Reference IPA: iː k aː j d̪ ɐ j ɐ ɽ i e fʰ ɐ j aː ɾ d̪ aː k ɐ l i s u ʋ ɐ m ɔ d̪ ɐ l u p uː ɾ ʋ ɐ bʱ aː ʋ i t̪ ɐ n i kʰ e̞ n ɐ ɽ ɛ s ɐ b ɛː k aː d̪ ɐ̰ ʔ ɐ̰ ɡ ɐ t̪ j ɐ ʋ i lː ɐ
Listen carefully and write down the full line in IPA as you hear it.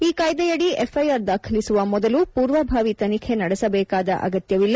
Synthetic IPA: iː k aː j d̪ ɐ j ɐ ɽ i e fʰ ɐ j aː ɾ d̪ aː kʰ ɐ l i s u ʋ ɐ m ɔ d̪ ɐ l u p uː ɾ ʋ ɐ bʱ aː ʋ i t̪ ɐ n i kʰ e̞ n ɐ ɽ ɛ s ɐ b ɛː k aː d̪ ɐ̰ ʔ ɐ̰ ɡ ɐ t̪ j ɐ ʋ i lː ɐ

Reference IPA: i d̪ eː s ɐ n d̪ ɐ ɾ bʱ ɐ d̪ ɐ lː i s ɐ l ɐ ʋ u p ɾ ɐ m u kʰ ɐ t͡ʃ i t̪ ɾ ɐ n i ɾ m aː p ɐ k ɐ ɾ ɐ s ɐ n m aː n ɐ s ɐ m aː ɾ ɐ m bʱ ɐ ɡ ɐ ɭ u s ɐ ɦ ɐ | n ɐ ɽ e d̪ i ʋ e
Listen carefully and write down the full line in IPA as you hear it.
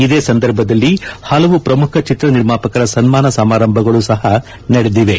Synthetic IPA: i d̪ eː s ɐ n d̪ ɐ ɾ bʱ ɐ d̪ ɐ lː i h ɐ l ɐ ʋ u p ɾ ɐ m u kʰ ɐ t͡ʃ i t̪ ɾ ɐ n i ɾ m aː p ɐ k ɐ ɾ ɐ s ɐ n m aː n ɐ s ɐ m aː ɾ ɐ m bʱ ɐ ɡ ɐ ɭ u s ɐ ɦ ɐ | n ɐ ɽ e d̪ i ʋ e

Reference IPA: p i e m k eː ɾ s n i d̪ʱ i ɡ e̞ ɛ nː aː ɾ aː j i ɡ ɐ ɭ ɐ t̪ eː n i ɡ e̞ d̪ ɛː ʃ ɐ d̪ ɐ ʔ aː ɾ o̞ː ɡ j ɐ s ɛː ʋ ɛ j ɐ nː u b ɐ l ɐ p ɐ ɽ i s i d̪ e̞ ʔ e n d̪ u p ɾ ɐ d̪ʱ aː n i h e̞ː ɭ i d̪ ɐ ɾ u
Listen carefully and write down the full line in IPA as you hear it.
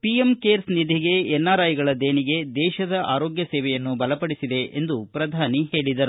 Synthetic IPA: p i e m k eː ɾ s n i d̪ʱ i ɡ e̞ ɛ nː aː ɾ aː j i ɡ ɐ ɭ ɐ d̪ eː n i ɡ e̞ d̪ ɛː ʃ ɐ d̪ ɐ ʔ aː ɾ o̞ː ɡ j ɐ s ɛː ʋ ɛ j ɐ nː u b ɐ l ɐ p ɐ ɽ i s i d̪ e̞ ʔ e n d̪ u p ɾ ɐ d̪ʱ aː n i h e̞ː ɭ i d̪ ɐ ɾ u

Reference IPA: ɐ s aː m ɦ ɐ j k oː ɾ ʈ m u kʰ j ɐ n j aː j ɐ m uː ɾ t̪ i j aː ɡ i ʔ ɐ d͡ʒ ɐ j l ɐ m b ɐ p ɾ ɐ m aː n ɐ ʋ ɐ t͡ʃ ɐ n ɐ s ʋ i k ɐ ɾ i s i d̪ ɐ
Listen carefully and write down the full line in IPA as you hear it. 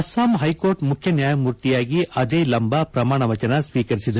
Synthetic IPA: ɐ s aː m ɦ ɐ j k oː ɾ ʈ m u kʰ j ɐ n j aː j ɐ m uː ɾ t̪ i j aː ɡ i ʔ ɐ d͡ʒ ɐ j l ɐ m b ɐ p ɾ ɐ m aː ɳ ɐ ʋ ɐ t͡ʃ ɐ n ɐ s ʋ iː k ɐ ɾ i s i d̪ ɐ

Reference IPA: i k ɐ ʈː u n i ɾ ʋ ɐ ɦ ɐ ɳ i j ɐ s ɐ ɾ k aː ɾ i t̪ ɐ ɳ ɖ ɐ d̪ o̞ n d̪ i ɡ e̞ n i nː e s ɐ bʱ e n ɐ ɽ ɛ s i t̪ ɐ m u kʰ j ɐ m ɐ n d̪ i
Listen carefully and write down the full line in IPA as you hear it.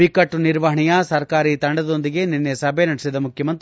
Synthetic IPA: i k ɐ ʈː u n i ɾ ʋ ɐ ɦ ɐ ɳ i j ɐ s ɐ ɾ k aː ɾ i t̪ ɐ ɳ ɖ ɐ d̪ o̞ n d̪ i ɡ e̞ n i nː e s ɐ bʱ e n ɐ ɽ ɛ s i d̪ ɐ m u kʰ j ɐ m ɐ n t̪ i

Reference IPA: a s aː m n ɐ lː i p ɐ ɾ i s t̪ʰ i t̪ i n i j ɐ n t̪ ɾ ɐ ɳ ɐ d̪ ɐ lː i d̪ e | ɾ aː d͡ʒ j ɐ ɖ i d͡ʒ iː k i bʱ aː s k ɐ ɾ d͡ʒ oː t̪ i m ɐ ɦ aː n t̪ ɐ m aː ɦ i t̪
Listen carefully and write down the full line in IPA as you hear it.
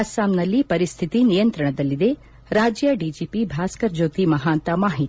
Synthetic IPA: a s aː m n ɐ lː i p ɐ ɾ i s t̪ʰ i t̪ i n i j ɐ n t̪ ɾ ɐ ɳ ɐ d̪ ɐ lː i d̪ e | ɾ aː d͡ʒ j ɐ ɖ i d͡ʒ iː p i bʱ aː s k ɐ ɾ d͡ʒ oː t̪ i m ɐ ɦ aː n t̪ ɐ m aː ɦ i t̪

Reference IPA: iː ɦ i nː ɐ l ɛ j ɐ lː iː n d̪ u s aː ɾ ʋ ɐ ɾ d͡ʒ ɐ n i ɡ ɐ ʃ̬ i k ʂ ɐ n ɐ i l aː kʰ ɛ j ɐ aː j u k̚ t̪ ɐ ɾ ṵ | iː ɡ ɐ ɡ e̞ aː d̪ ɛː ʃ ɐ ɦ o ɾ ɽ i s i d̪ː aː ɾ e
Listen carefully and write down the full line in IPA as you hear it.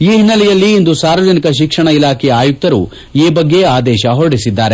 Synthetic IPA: iː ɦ i nː ɐ l ɛ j ɐ lː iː n d̪ u s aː ɾ ʋ ɐ d͡ʒ ɐ n i k ɐ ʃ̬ i k ʂ ɐ ɳ ɐ i l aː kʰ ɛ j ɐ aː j u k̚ t̪ ɐ ɾ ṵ | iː b ɐ ɡː e̞ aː d̪ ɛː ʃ ɐ ɦ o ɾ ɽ i s i d̪ː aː ɾ e

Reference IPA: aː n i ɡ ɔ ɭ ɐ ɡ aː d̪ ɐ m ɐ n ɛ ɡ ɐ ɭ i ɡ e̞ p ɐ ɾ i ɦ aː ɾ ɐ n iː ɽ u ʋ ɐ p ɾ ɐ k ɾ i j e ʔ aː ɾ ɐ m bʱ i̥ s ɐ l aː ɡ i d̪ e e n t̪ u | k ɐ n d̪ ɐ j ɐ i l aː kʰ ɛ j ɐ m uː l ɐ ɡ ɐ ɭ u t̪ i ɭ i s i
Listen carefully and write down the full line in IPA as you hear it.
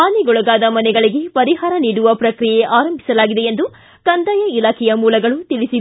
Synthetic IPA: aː n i ɡ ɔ ɭ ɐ ɡ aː d̪ ɐ m ɐ n ɛ ɡ ɐ ɭ i ɡ e̞ p ɐ ɾ i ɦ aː ɾ ɐ n iː ɽ u ʋ ɐ p ɾ ɐ k ɾ i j e ʔ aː ɾ ɐ m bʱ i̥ s ɐ l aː ɡ i d̪ e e n d̪ u | k ɐ n d̪ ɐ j ɐ i l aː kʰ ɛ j ɐ m uː l ɐ ɡ ɐ ɭ u t̪ i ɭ i s i

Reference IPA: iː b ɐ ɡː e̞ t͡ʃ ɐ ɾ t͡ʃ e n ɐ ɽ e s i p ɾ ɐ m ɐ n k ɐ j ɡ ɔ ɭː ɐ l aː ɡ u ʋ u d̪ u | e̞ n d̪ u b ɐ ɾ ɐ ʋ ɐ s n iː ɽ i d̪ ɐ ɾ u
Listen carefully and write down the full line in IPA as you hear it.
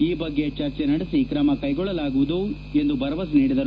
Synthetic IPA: iː b ɐ ɡː e̞ t͡ʃ ɐ ɾ t͡ʃ e n ɐ ɽ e s i k ɾ ɐ m ɐ k ɐ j ɡ ɔ ɭː ɐ l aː ɡ u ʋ u d̪ u | e̞ n d̪ u b ɐ ɾ ɐ ʋ ɐ s n iː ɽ i d̪ ɐ ɾ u

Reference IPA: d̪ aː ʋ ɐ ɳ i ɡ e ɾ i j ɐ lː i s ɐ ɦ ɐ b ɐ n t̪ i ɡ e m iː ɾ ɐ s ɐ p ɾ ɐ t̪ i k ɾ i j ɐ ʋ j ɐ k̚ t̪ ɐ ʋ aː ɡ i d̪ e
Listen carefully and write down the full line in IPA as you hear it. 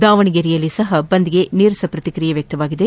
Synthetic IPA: d̪ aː ʋ ɐ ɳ i ɡ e ɾ i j ɐ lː i s ɐ ɦ ɐ b ɐ n d̪ i ɡ e n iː ɾ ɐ s ɐ p ɾ ɐ t̪ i k ɾ i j ɐ ʋ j ɐ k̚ t̪ ɐ ʋ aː ɡ i d̪ e

